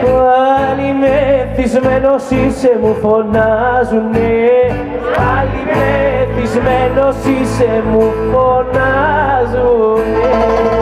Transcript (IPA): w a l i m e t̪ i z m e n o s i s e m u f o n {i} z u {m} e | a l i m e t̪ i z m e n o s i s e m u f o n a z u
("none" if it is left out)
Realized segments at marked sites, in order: a, n

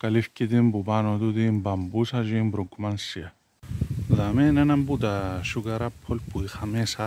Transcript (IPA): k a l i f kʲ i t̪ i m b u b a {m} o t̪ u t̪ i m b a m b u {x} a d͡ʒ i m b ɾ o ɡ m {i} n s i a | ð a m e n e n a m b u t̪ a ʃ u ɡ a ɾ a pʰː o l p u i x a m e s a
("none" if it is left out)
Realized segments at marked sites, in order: n, s, a

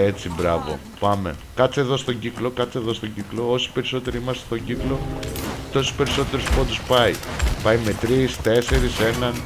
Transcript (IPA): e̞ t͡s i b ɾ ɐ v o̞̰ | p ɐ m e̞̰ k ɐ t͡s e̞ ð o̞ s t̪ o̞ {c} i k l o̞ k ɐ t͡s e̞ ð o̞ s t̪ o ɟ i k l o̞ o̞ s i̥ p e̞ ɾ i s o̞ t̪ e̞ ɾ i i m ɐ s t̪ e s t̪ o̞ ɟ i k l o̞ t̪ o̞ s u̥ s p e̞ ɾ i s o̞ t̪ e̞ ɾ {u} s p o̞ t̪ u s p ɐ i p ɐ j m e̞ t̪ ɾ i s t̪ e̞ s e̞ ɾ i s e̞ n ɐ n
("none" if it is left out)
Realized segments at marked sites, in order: ɟ, u

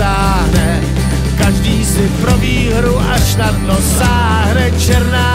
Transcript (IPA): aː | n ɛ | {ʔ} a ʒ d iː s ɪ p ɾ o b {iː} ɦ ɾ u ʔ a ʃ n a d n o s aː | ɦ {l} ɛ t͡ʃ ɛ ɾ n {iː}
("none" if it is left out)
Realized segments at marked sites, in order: k, iː, ɾ, aː

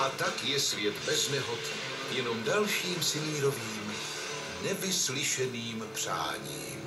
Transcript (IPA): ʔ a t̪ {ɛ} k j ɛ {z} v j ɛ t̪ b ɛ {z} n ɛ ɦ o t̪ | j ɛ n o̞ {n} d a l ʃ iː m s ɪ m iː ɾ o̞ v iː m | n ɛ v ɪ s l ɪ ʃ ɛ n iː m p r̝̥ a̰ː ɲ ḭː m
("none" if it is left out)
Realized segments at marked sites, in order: a, s, z, m

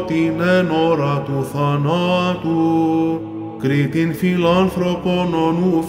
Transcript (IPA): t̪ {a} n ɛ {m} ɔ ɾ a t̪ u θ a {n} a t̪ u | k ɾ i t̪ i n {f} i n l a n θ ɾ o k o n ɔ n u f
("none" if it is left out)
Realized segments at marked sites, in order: i, n, n, f

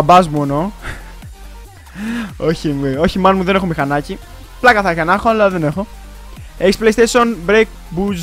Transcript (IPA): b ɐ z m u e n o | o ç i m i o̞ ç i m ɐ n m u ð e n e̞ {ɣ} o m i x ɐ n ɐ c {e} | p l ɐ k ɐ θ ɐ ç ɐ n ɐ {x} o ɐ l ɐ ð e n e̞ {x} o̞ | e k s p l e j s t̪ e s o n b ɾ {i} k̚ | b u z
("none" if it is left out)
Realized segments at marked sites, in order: x, i, x, x, e

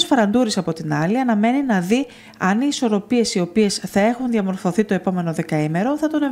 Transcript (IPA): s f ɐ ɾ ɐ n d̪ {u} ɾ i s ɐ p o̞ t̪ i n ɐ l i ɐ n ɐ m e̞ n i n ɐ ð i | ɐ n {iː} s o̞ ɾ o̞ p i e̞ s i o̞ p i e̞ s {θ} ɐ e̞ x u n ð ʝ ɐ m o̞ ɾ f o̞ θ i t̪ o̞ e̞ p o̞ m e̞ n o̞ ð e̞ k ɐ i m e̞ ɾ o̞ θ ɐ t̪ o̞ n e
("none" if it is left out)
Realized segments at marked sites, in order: u, iː, θ

